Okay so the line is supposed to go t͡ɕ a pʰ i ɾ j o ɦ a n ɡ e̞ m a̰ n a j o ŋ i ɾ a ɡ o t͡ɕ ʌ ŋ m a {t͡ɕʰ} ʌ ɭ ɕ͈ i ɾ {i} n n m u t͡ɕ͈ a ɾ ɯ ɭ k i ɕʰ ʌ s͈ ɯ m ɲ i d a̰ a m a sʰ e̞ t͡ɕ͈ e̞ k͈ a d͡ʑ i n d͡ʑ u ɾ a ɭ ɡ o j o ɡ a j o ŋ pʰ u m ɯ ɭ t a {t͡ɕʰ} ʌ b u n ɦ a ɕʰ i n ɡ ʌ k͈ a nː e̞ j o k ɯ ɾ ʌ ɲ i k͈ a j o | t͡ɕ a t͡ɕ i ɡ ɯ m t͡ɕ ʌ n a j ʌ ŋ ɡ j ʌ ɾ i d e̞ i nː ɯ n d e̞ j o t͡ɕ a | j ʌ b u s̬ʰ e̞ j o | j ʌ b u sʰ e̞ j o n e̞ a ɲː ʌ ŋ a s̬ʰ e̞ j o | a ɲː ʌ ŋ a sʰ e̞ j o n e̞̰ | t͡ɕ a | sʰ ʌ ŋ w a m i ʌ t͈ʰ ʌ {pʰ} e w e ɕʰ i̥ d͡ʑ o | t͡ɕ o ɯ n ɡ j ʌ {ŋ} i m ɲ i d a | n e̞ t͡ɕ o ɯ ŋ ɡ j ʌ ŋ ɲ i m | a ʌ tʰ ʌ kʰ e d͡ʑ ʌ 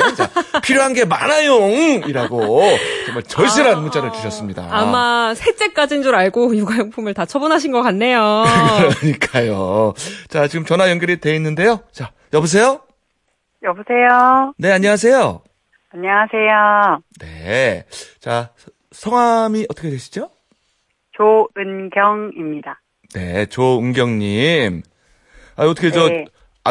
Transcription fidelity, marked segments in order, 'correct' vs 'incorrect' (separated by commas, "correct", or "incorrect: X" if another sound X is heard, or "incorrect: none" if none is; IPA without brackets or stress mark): incorrect: t͡ɕ, incorrect: a, correct, incorrect: kʰ, correct